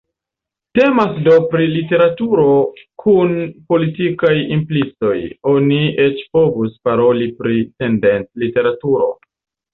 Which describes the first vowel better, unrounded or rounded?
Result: unrounded